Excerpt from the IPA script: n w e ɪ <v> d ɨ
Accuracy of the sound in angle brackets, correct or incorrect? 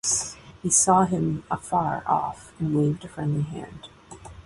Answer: correct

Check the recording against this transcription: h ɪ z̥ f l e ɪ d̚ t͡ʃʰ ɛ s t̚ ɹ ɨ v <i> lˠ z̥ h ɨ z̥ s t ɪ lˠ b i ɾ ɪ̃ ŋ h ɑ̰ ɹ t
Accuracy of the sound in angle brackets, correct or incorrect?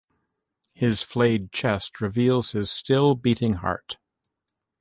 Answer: correct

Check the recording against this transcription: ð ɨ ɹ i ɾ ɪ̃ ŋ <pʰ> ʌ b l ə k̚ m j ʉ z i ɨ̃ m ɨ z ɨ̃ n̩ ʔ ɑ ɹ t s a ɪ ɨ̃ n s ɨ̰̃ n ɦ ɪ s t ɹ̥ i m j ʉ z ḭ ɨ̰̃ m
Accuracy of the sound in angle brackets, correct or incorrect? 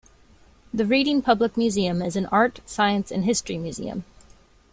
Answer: correct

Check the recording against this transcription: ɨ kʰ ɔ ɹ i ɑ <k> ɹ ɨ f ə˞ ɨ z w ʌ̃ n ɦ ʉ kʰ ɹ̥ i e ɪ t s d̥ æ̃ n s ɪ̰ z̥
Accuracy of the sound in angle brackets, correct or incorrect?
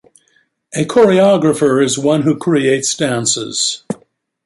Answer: incorrect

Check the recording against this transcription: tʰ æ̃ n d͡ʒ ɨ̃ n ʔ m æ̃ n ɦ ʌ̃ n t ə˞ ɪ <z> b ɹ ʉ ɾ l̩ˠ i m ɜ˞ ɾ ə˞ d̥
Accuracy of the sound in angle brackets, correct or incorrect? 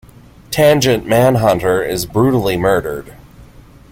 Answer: correct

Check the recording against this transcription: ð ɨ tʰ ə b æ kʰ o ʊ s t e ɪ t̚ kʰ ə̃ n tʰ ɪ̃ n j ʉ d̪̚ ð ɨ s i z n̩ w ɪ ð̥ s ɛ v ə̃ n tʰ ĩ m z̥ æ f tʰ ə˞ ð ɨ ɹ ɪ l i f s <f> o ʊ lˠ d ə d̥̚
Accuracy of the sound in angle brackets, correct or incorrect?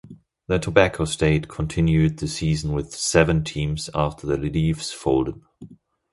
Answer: correct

